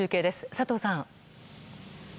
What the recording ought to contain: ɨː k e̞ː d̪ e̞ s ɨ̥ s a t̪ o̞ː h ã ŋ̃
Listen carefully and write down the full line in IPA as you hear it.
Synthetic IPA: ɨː k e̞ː d̪ e̞ s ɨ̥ s a t̪ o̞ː s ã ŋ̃